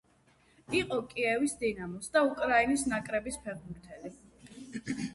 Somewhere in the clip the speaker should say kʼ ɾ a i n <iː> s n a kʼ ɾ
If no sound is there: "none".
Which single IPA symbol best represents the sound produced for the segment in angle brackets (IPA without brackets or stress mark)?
i